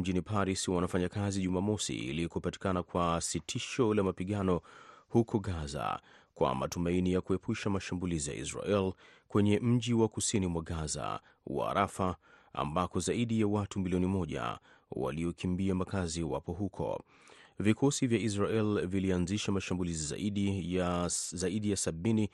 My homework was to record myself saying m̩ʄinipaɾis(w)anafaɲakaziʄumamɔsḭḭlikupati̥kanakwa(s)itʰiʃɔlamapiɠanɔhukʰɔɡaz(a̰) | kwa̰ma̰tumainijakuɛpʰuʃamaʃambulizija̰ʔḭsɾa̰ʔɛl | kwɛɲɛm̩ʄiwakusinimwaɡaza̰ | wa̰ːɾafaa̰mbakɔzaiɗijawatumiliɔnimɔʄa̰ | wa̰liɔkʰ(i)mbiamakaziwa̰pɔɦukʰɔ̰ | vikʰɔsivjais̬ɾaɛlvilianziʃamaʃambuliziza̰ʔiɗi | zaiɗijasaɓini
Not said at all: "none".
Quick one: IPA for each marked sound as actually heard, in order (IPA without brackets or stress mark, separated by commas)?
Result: w, s, a̰, i